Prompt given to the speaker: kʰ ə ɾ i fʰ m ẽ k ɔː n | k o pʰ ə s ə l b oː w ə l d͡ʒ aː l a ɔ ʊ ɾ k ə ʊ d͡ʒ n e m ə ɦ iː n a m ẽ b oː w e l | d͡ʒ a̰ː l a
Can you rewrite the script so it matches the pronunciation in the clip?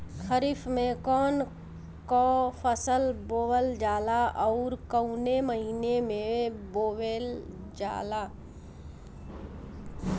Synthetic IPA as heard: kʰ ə ɾ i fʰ m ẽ k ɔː n | k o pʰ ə s ə l b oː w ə l d͡ʒ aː l a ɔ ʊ ɾ k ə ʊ n e m ə ɦ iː n e m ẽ b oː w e l | d͡ʒ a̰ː l a